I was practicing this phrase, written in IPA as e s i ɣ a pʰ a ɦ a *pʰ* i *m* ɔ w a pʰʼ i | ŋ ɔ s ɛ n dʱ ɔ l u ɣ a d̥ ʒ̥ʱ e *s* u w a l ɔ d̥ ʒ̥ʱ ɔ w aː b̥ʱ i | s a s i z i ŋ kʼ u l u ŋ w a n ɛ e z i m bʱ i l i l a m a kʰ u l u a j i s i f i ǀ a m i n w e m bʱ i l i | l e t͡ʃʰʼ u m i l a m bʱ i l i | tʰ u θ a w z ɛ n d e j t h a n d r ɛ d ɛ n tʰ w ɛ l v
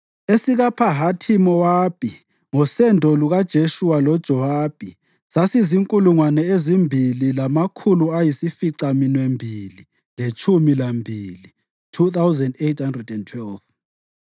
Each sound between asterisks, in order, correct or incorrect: incorrect: tʰ, correct, incorrect: ʃ

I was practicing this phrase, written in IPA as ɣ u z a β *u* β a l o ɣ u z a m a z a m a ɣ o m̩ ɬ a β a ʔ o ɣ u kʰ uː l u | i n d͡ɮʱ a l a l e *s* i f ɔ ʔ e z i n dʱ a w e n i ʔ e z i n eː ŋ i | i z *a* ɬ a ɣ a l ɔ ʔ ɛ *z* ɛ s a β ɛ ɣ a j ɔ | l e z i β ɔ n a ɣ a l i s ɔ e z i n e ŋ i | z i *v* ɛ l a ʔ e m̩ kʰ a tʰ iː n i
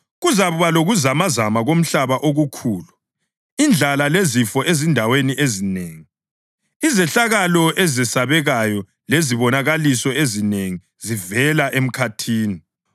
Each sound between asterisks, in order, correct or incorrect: correct, incorrect: z, incorrect: ɛ, correct, correct

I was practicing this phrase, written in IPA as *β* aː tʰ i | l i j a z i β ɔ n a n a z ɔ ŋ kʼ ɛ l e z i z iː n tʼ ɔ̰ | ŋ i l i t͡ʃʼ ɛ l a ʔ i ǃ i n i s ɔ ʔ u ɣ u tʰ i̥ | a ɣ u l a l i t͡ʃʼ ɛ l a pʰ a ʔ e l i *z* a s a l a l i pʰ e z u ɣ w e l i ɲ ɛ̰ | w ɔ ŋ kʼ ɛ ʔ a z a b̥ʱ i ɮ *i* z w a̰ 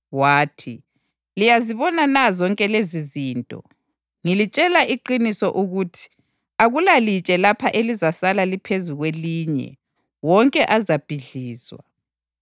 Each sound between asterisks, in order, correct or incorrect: incorrect: w, correct, incorrect: iː

